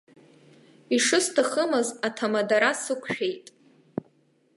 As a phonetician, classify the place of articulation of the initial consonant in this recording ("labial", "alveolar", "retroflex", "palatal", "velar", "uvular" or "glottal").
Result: retroflex